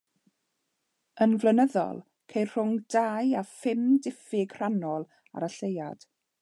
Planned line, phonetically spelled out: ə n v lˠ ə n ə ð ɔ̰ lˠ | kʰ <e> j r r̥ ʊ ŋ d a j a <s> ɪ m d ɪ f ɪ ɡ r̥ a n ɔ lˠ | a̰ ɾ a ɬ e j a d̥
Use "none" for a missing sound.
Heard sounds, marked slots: e, f

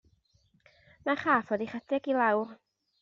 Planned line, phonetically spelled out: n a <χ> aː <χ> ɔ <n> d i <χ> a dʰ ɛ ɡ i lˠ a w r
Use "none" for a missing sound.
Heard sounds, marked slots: χ, f, none, χ

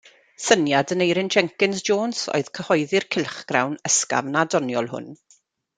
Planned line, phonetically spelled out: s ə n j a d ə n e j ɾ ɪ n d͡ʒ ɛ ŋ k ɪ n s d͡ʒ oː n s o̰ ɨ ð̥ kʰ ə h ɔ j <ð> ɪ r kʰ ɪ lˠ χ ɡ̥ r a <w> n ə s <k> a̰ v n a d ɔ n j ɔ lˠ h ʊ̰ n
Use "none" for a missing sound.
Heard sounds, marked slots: ð, w, k

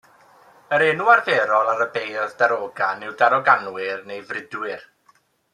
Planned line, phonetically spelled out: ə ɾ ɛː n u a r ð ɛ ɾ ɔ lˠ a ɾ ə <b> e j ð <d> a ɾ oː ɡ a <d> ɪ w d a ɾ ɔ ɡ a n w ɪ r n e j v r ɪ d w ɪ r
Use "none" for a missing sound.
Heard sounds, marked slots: b, d, n

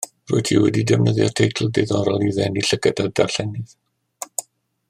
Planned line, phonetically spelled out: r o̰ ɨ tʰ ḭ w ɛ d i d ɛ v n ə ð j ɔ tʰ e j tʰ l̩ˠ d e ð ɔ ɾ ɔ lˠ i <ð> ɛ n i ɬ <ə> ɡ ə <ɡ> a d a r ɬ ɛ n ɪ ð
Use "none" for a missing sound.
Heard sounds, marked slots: ð, ə, d

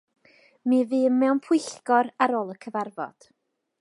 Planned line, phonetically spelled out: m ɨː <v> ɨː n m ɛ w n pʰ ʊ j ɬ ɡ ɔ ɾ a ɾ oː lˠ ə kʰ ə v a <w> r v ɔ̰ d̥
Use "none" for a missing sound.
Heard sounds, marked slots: v, none

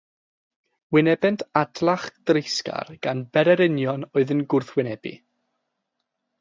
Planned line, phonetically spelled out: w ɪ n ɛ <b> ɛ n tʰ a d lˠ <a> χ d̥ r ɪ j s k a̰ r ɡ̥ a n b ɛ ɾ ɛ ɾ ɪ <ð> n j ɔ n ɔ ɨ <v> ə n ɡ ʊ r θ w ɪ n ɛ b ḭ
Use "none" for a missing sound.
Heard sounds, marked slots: b, a, none, ð

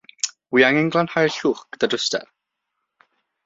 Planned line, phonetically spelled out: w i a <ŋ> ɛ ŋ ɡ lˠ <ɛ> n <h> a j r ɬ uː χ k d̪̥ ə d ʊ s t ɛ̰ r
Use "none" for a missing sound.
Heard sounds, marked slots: ŋ, a, h

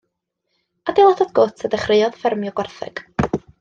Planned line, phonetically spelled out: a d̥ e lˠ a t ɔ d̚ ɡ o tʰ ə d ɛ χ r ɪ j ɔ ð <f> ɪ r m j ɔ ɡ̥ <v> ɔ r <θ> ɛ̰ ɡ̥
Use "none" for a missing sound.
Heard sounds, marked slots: f, w, θ

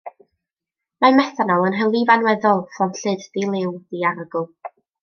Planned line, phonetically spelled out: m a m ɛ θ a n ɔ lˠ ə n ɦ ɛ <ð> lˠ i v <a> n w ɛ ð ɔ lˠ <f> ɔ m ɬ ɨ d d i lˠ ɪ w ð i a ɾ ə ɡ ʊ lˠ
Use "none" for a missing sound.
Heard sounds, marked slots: none, a, f

